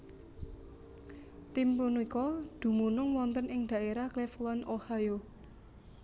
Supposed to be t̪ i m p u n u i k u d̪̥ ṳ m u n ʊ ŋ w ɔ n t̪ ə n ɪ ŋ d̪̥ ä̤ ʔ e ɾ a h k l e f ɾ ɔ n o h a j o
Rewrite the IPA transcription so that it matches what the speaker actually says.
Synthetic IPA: t̪ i m p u n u i k ɔ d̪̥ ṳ m u n ʊ ŋ w ɔ n t̪ ə n ɪ ŋ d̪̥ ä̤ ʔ e ɾ a h k l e f l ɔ n o h a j o